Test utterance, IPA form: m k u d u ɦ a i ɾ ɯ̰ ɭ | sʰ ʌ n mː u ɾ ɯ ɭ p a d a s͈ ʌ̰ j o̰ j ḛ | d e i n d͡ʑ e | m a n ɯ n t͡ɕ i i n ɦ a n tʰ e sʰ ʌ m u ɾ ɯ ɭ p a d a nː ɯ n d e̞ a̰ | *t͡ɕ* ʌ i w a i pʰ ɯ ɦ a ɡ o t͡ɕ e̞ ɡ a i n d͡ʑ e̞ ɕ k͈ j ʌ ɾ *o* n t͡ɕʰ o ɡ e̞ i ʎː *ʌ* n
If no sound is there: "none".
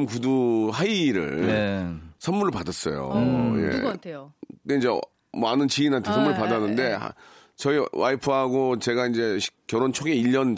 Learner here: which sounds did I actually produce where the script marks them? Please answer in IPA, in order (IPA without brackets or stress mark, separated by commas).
t͡ɕ, o, ʌ